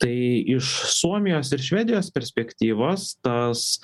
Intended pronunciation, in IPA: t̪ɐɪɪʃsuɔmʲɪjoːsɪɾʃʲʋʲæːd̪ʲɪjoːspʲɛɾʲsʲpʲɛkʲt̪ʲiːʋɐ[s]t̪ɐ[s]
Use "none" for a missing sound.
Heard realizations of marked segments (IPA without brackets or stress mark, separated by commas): s, s